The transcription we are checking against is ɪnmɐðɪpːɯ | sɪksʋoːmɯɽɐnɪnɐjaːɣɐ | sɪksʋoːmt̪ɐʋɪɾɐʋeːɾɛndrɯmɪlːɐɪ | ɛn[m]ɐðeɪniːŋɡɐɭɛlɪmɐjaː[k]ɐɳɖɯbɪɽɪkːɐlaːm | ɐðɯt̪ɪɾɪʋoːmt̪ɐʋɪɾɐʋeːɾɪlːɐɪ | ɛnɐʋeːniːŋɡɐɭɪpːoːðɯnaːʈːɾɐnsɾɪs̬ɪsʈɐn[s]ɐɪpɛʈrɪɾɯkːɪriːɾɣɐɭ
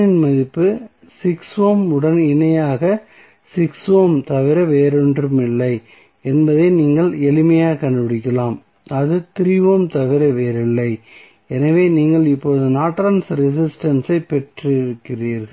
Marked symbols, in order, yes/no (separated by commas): no, yes, yes